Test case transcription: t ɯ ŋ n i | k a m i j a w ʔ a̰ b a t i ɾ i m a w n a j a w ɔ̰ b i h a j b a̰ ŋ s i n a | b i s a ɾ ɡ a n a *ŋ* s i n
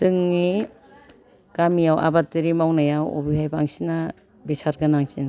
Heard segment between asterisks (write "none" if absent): ŋ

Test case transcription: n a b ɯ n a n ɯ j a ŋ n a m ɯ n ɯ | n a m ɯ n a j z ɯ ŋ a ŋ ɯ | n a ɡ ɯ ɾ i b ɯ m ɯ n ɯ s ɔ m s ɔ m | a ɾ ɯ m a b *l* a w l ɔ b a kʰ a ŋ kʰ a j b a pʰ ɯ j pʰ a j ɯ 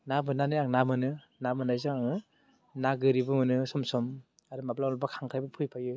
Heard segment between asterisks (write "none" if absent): l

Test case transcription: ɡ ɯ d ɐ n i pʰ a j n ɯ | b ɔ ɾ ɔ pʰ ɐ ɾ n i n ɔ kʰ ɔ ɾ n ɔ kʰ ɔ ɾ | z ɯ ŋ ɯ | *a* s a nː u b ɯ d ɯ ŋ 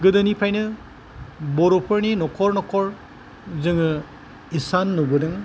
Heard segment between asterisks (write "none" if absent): i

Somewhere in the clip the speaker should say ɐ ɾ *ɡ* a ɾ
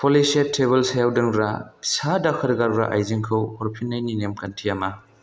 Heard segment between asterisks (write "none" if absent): ɡ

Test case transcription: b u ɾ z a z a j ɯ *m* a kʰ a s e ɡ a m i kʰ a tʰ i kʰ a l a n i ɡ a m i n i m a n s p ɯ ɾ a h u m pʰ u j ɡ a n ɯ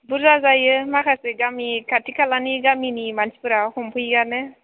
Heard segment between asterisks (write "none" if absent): m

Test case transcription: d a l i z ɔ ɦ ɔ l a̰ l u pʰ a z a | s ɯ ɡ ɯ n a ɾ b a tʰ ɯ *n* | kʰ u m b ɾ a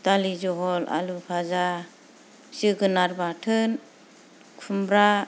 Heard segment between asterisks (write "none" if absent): n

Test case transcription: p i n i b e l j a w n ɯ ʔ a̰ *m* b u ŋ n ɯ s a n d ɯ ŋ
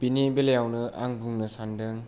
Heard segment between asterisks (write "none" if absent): ŋ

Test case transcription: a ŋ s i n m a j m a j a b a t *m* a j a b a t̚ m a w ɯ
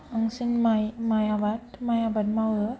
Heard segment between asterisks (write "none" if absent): m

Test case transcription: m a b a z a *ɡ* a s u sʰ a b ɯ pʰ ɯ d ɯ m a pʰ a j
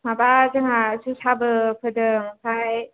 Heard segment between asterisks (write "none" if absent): ŋ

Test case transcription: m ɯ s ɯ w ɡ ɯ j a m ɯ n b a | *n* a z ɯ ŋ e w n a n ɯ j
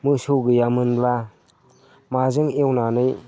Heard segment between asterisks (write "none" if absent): m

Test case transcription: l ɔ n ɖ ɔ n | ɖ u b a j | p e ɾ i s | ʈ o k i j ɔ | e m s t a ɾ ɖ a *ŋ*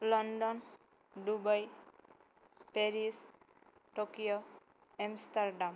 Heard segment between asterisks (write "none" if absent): m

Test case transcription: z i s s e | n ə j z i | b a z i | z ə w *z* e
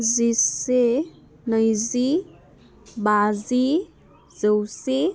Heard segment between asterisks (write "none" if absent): s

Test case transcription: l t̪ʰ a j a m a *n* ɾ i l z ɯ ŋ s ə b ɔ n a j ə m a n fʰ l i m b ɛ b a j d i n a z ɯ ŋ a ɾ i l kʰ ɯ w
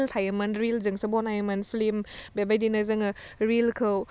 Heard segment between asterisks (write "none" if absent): n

